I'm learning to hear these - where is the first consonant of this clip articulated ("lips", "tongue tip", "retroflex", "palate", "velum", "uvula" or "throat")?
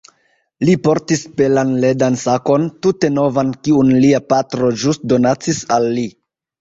tongue tip